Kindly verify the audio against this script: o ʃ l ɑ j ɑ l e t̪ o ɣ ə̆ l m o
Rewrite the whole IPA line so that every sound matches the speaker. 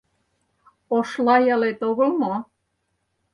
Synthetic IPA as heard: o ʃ l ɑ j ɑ l e t̪ o ɣ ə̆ l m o

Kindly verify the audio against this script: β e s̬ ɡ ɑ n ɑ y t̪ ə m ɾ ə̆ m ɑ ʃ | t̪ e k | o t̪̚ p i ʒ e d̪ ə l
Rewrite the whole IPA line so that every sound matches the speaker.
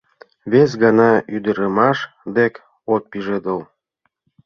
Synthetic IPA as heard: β e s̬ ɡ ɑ n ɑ y d̪ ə ɾ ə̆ m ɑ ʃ | d̪ e k | o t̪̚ p i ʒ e d̪ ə l

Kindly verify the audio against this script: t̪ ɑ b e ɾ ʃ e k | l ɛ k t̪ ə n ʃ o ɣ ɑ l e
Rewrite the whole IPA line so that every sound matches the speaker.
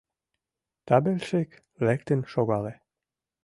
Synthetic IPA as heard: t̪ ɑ b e l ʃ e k | l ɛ k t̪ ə n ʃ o ɣ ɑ l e

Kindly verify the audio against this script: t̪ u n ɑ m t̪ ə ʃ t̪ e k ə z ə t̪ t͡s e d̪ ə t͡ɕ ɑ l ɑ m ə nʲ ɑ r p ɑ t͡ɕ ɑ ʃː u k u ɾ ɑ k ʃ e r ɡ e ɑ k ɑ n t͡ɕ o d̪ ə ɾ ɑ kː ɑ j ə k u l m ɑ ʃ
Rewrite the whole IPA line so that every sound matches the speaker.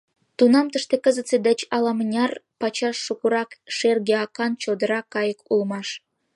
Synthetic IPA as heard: t̪ u n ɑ m t̪ ə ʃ t̪ e k ə z ə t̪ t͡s e d̪ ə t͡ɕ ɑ l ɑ m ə nʲ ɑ r p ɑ t͡ɕ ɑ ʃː u k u ɾ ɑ k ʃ e r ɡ e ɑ k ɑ n t͡ɕ o d̪ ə ɾ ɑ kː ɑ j ə k u l m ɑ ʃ

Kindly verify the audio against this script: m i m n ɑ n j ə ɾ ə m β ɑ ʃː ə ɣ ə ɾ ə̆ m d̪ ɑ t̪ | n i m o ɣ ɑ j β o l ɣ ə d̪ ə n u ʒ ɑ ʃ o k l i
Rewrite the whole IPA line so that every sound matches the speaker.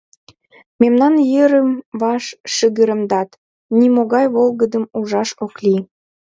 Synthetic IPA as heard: m e m n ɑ n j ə ɾ ə m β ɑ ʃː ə ɣ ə ɾ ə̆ m d̪ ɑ t̪ | n i m o ɣ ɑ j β o l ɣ ə d̪ ə m u ʒ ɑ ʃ o k l i

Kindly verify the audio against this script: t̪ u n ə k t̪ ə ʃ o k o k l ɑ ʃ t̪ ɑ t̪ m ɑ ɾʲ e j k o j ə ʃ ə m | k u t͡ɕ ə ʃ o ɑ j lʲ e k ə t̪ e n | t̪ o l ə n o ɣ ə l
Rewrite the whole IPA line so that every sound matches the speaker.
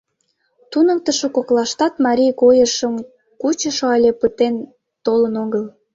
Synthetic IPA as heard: t̪ u n ə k t̪ ə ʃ o k o k l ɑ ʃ t̪ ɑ t̪ m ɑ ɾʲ i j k o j ə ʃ ə m | k u t͡ɕ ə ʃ o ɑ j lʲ e p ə t̪ e n | t̪ o l ə n o ɣ ə l

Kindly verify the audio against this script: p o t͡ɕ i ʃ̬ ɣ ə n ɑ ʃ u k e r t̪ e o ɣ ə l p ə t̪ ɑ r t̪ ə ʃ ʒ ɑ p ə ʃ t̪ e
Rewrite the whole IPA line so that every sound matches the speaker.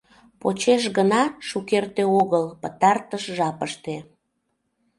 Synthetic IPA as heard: p o t͡ɕ e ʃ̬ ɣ ə n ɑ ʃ u k e r t̪ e o ɣ ə l p ə t̪ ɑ r t̪ ə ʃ ʒ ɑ p ə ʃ t̪ e

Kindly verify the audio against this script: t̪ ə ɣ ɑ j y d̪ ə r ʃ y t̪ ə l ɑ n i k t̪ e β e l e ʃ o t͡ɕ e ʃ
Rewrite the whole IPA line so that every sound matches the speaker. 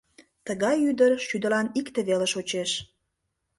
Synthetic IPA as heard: t̪ ə ɣ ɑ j y d̪ ə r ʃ y d̪ ə l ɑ n i k t̪ e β e l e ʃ o t͡ɕ e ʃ

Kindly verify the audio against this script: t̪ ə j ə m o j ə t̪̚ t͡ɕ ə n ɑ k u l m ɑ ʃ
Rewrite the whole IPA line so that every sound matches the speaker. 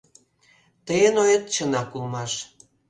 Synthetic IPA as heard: t̪ ə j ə n o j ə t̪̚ t͡ɕ ə n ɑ k u l m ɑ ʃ

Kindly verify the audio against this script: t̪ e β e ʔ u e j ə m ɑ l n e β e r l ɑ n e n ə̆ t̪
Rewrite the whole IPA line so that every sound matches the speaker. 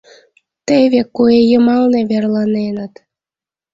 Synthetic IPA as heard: t̪ e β e k u e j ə m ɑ l n e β e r l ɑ n e n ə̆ t̪

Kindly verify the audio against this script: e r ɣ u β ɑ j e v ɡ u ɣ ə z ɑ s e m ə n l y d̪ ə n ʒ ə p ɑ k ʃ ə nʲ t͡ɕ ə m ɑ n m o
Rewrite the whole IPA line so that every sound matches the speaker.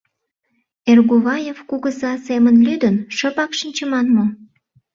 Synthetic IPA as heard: e r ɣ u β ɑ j e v k u ɣ ə z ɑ s e m ə n l y d̪ ə n ʃ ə p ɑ k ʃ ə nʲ t͡ɕ ə m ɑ n m o

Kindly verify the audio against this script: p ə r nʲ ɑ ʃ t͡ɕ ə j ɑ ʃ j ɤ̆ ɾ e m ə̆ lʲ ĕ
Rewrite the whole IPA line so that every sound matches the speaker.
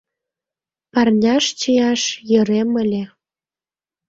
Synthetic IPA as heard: p ɑ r nʲ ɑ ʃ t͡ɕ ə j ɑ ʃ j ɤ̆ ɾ e m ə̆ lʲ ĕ

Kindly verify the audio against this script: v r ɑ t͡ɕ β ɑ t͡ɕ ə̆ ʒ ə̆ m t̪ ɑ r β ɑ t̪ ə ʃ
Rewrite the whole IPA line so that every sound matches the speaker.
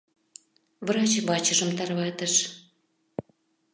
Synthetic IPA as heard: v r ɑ t͡ɕ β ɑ t͡ɕ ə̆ ʒ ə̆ m t̪ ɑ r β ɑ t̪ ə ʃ

